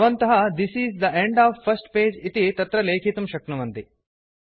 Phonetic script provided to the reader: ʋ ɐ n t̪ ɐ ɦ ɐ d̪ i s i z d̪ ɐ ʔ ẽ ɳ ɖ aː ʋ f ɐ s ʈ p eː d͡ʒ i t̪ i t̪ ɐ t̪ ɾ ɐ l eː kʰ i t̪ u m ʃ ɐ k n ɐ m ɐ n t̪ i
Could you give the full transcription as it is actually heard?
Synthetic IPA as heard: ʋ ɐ n t̪ ɐ ɦ ɐ d̪ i s i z d̪ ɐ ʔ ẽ ɳ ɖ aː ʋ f ɐ s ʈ p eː d͡ʒ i t̪ i t̪ ɐ t̪ ɾ ɐ l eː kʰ i t̪ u m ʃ ɐ k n ɐ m ɐ n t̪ i